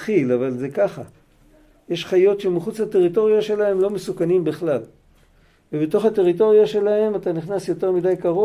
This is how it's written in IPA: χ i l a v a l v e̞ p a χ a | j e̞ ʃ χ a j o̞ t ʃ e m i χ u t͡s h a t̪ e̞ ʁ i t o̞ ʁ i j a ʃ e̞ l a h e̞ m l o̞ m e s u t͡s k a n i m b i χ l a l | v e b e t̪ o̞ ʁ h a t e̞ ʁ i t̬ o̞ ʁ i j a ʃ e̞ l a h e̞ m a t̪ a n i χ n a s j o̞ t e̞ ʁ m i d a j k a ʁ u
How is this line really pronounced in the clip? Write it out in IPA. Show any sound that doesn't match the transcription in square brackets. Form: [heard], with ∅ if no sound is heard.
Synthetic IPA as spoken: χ i l a v a l [z] e̞ [k] a χ a | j e̞ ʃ χ a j o̞ t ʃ e m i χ u t͡s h a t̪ e̞ ʁ i t o̞ ʁ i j a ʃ e̞ l a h e̞ m l o̞ m e s u [∅] k a n i m b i χ l a l | v e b e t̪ o̞ [χ] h a t e̞ ʁ i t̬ o̞ ʁ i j a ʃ e̞ l a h e̞ m a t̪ a n i χ n a s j o̞ t e̞ ʁ m i d a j k a ʁ [o]